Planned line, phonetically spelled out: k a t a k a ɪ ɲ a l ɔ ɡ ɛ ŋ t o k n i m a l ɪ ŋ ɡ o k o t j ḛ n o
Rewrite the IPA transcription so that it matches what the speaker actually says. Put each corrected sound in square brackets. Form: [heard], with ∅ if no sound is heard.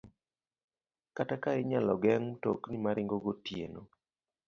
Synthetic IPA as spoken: k a t a k a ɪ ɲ a l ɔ ɡ ɛ ŋ t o k n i m a [ɾ] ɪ ŋ ɡ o [ɡ] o t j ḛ n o

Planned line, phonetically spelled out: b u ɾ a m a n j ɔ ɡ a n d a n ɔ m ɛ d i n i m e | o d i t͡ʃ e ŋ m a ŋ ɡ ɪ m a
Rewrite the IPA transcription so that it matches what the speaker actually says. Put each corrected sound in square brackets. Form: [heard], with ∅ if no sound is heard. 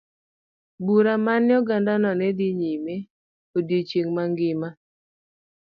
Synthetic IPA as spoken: b u ɾ a m a n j ɔ ɡ a n d a n ɔ [n] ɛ d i [ɲ] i m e | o d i t͡ʃ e ŋ m a ŋ ɡ ɪ m a

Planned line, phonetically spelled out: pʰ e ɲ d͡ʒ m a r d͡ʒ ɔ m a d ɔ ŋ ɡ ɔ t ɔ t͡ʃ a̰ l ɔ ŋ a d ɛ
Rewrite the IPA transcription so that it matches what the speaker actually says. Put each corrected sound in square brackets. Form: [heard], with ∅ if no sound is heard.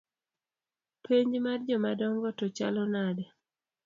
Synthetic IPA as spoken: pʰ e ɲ d͡ʒ m a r d͡ʒ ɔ m a d ɔ ŋ ɡ ɔ t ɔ t͡ʃ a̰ l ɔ [n] a d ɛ

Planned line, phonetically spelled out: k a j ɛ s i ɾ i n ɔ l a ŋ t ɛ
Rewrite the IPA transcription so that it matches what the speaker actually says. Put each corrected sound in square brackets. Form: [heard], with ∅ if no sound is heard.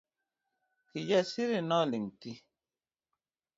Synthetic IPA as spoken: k [i] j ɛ s i ɾ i n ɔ l [i] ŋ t [i]

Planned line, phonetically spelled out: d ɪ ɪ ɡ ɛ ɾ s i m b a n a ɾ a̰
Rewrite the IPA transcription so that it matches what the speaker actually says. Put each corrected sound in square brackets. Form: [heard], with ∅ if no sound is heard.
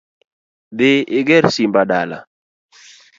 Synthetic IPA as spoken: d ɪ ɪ ɡ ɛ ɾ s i m b a [d] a [l] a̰

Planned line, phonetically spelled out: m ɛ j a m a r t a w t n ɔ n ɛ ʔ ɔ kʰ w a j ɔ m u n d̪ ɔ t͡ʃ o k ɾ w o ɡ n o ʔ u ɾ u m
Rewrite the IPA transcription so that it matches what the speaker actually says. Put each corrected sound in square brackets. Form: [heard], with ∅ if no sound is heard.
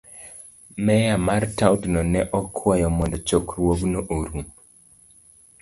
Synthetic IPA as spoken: m ɛ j a m a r t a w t n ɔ n ɛ ʔ ɔ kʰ w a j ɔ m [ɔ] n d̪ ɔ t͡ʃ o k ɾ w o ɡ n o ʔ [o] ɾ u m

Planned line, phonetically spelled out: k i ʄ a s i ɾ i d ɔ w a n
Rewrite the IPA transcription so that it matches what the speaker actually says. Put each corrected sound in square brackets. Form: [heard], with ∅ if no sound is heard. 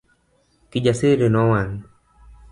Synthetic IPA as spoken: k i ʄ a s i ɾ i [n] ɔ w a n

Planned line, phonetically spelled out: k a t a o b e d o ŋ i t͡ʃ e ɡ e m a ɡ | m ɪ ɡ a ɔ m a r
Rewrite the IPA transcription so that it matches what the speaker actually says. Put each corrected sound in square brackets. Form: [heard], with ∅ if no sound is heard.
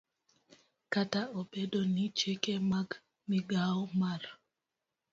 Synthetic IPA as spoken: k a t a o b e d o [n] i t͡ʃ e [k] e m a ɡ | m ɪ ɡ a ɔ m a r

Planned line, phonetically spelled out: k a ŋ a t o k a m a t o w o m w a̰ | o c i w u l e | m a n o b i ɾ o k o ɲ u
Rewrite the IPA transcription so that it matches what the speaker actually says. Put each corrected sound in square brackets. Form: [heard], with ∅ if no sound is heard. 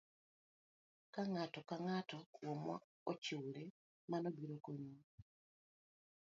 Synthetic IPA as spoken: k a ŋ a t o k a [ŋ] a t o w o m w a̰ | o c i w u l e | m a n o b i ɾ o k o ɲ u

